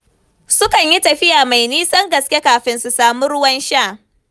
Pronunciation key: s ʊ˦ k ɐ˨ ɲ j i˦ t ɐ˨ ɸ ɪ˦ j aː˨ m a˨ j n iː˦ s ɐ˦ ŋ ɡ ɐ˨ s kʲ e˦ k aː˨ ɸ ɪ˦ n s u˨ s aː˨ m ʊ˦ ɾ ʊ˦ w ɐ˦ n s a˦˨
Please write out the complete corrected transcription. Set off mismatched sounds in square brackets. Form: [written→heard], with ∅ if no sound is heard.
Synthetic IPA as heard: s ʊ˦ k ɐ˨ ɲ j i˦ t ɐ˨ ɸ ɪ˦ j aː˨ m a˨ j n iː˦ s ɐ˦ ŋ ɡ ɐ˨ s kʲ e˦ k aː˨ ɸ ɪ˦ n s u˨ s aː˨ m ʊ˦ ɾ ʊ˦ w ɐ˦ n [s→ʃ] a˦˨

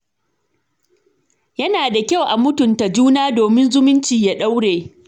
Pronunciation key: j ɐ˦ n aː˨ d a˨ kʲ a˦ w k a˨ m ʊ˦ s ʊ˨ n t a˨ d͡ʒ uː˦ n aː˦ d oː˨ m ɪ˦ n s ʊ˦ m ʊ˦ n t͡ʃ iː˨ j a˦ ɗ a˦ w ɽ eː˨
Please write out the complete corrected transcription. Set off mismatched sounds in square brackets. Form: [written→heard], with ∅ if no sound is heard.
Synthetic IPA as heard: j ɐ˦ n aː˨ d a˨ kʲ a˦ w [k→ʔ] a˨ m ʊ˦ [s→t] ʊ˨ n t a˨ d͡ʒ uː˦ n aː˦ d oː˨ m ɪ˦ n [s→z] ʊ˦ m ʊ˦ n t͡ʃ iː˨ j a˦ ɗ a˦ w ɽ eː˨

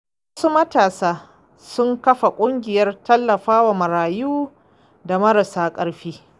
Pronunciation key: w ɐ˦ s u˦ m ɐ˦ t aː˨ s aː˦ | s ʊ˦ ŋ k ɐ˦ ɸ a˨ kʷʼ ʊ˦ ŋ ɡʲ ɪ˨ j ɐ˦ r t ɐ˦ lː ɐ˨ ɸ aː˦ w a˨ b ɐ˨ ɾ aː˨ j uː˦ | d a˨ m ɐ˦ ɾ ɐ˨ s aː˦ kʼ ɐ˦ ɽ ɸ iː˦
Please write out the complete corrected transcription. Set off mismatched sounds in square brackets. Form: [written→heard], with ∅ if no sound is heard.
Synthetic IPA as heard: w ɐ˦ s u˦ m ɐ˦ t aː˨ s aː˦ | s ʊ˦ ŋ k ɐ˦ ɸ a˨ kʷʼ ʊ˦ ŋ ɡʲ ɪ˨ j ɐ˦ r t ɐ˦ lː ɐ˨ ɸ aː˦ w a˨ [b→m] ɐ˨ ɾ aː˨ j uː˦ | d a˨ m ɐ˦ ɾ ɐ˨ s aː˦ kʼ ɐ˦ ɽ ɸ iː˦

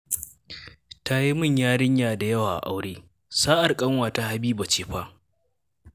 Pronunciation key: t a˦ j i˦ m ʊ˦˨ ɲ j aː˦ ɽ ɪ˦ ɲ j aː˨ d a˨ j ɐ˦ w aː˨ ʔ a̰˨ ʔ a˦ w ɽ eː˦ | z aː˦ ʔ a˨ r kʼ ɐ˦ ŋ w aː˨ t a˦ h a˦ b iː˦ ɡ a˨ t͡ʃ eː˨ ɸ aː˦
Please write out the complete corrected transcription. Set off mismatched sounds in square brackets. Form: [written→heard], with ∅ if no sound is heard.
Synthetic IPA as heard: t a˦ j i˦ m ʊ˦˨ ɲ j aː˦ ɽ ɪ˦ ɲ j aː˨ d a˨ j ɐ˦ w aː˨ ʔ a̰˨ ʔ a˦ w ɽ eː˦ | [z→s] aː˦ ʔ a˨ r kʼ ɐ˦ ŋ w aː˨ t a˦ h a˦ b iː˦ [ɡ→b] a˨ t͡ʃ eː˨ ɸ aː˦

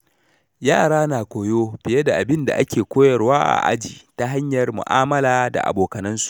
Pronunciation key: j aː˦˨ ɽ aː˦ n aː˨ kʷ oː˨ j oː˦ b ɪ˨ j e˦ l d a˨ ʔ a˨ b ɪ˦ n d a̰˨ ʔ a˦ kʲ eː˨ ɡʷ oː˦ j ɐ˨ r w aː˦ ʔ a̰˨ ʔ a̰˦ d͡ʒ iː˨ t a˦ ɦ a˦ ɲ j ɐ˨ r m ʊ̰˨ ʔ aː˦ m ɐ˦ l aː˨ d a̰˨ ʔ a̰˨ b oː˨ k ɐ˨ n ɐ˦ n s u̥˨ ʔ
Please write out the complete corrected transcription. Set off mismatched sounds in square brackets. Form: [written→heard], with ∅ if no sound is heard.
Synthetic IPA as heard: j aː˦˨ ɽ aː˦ n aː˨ kʷ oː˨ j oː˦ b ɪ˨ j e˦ [l→∅] d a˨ ʔ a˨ b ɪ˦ n d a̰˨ ʔ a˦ kʲ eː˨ [ɡʷ→kʷ] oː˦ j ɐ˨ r w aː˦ ʔ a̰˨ ʔ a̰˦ d͡ʒ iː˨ t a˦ ɦ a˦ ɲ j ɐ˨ r m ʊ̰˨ ʔ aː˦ m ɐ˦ l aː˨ d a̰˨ ʔ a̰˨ b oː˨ k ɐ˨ n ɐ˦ n s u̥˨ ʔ

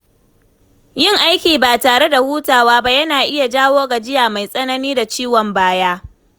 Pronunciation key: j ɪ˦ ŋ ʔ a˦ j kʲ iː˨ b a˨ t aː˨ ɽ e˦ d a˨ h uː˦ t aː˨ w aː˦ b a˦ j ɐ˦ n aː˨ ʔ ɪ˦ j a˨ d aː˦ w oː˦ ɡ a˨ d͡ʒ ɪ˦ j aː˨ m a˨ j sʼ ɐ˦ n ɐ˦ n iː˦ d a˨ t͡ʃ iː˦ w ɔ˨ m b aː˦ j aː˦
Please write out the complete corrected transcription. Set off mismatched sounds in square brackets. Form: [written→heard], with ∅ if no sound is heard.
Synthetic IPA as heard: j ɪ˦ ŋ ʔ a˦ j kʲ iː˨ b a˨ t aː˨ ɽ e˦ d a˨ h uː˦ t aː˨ w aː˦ b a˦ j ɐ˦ n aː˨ ʔ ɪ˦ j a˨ [d→d͡ʒ] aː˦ w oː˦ ɡ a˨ d͡ʒ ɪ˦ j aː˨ m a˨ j sʼ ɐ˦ n ɐ˦ n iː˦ d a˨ t͡ʃ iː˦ w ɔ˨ m b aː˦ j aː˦

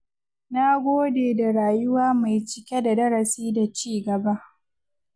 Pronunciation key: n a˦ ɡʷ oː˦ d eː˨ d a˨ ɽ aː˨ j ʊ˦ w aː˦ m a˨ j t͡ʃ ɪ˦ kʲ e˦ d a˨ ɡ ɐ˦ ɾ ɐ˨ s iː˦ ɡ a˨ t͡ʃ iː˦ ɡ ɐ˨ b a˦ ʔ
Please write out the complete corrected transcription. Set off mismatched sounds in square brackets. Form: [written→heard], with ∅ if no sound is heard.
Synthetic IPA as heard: n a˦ ɡʷ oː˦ d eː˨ d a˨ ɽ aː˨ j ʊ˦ w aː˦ m a˨ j t͡ʃ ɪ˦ kʲ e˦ d a˨ [ɡ→d] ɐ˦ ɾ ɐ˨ s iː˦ [ɡ→d] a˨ t͡ʃ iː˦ ɡ ɐ˨ b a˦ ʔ

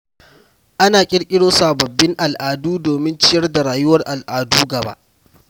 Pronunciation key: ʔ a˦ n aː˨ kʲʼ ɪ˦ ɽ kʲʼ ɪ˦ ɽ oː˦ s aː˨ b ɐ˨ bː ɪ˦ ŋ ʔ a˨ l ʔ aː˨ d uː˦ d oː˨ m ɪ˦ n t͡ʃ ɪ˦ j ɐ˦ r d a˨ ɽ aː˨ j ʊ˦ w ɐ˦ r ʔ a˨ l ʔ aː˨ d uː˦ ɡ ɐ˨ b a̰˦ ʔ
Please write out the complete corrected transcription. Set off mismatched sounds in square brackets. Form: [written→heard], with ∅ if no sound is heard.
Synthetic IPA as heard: ʔ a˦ n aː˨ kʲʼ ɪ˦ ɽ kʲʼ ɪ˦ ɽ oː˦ s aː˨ b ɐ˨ bː ɪ˦ ŋ ʔ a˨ l ʔ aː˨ d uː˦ d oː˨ m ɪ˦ n t͡ʃ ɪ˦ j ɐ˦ r d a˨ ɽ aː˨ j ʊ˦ w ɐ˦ r ʔ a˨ l ʔ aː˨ d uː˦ ɡ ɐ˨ b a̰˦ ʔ

